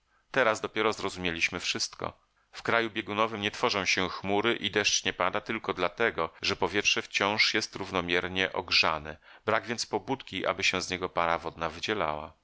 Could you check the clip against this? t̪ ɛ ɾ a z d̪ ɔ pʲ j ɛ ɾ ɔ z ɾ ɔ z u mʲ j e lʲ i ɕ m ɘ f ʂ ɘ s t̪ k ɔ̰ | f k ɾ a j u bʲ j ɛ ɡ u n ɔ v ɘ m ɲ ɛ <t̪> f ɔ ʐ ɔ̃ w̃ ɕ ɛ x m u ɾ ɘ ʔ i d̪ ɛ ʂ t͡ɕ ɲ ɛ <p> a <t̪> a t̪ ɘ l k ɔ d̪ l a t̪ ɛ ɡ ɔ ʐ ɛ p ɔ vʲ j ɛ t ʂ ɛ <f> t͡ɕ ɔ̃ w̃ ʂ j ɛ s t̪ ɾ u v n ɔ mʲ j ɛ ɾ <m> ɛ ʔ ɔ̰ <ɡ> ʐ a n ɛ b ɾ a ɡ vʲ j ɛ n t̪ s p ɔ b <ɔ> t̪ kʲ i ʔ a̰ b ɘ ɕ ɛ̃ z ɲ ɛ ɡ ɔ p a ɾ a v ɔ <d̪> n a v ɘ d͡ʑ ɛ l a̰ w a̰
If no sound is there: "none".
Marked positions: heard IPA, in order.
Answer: t̪, p, d̪, f, ɲ, ɡ, u, d̪

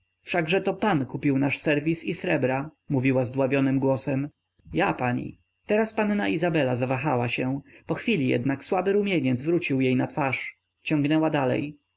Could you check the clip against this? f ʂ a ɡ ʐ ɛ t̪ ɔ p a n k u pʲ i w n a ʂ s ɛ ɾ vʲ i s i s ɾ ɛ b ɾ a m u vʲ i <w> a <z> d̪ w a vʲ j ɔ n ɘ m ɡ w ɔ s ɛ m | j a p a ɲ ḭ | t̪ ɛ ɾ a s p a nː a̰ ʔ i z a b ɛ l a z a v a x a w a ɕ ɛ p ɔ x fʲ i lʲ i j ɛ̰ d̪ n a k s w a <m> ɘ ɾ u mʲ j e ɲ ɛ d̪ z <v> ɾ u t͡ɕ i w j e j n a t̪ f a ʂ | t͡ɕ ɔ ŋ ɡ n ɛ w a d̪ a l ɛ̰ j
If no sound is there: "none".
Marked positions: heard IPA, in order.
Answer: w, z, b, v

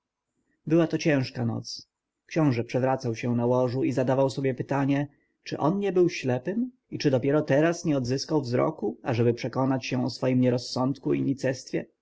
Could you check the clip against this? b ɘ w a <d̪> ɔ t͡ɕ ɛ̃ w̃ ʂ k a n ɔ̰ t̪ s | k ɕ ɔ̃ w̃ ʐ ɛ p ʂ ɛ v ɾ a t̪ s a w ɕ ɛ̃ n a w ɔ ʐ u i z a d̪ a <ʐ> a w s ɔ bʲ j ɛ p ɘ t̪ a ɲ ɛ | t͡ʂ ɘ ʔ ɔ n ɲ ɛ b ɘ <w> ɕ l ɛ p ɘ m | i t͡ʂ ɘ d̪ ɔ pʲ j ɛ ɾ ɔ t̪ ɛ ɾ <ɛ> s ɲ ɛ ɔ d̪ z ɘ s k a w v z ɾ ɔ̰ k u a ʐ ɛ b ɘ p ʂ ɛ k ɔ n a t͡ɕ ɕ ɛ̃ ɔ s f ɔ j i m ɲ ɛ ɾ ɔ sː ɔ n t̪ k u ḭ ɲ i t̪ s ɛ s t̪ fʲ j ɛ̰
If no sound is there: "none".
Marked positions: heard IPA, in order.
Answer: t̪, v, w, a

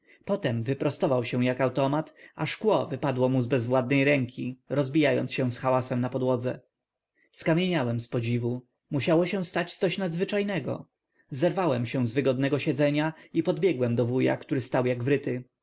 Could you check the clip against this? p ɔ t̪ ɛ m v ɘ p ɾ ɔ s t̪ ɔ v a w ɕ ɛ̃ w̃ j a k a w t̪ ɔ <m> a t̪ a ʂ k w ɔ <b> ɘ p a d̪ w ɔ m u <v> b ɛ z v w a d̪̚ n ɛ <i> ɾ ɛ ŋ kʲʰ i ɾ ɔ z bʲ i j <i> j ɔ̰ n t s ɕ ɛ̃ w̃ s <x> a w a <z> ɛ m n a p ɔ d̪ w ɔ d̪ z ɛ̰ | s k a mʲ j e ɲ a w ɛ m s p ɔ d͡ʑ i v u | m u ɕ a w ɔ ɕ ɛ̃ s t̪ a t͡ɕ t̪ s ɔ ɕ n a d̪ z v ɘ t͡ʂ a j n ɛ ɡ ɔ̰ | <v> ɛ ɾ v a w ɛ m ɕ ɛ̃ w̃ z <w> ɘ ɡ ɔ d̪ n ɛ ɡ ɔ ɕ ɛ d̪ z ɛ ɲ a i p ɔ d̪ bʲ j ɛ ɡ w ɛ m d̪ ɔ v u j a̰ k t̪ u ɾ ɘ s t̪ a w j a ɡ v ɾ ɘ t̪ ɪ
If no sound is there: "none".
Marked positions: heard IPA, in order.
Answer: m, v, z, j, a, x, s, z, v

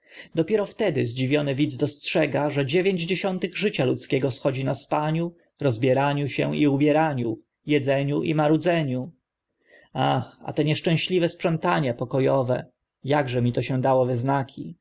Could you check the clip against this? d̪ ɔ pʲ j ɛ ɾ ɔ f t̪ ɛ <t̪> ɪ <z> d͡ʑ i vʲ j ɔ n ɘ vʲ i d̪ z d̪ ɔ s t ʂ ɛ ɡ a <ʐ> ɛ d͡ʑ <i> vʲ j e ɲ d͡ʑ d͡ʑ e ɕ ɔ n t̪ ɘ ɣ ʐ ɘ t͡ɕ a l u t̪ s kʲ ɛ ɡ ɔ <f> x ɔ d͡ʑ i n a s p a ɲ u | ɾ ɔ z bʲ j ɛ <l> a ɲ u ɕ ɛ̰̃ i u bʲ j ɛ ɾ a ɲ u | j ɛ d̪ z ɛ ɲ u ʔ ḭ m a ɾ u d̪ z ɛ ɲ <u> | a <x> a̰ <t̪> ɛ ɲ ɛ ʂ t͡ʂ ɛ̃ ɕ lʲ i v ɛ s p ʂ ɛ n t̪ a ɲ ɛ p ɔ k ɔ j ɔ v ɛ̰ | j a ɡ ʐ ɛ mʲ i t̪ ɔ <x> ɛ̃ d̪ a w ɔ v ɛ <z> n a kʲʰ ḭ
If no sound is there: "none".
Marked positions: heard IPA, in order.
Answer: d̪, z, ʐ, e, s, ɾ, u, x, t̪, ɕ, z

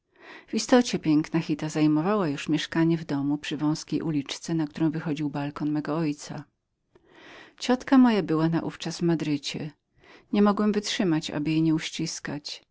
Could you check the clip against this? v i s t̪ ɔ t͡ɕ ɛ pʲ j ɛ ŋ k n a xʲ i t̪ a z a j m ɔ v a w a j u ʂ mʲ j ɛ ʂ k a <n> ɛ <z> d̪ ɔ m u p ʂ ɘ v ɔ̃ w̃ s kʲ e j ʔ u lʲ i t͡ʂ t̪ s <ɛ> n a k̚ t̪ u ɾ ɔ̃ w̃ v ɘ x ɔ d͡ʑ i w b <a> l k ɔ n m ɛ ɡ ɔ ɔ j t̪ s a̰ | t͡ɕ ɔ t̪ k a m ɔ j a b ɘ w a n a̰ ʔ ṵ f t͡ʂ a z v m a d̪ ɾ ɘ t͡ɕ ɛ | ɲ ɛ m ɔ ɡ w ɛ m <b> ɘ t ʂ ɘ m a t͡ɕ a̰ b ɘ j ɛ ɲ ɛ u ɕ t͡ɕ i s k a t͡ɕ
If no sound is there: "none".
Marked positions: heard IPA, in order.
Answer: ɲ, v, ɛ, a, v

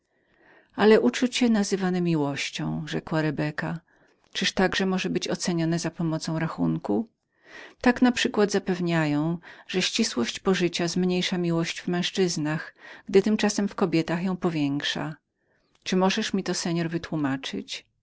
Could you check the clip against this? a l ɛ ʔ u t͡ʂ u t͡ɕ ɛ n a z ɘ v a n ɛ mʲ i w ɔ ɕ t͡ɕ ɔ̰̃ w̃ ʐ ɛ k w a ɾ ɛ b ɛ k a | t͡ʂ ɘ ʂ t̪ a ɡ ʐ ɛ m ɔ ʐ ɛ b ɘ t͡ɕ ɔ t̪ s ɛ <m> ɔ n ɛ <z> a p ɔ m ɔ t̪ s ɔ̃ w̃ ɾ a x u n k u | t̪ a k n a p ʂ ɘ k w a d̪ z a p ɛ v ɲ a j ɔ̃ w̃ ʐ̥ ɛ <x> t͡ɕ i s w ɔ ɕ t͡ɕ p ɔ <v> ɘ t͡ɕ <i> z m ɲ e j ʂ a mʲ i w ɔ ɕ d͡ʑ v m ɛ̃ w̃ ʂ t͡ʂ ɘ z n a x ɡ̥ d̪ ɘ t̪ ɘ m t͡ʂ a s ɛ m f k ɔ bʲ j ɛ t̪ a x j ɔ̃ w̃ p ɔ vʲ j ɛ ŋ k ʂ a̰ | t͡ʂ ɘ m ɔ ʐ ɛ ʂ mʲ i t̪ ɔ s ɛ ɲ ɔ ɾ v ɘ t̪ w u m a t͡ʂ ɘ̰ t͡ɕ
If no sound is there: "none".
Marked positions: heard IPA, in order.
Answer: ɲ, z, ɕ, ʐ, a

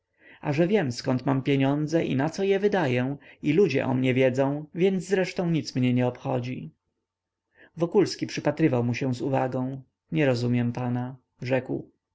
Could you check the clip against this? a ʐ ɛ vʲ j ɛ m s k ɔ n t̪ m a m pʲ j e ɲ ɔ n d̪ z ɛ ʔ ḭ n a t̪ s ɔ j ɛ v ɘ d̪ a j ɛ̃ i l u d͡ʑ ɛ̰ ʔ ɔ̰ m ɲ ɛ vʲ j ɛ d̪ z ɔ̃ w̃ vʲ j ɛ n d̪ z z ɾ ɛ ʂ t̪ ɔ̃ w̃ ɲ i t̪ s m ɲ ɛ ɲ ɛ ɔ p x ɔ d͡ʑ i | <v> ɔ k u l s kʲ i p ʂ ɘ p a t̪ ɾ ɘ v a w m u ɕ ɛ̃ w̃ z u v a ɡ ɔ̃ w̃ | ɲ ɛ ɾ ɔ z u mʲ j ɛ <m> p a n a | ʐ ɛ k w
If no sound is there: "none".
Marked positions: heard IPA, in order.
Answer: v, m

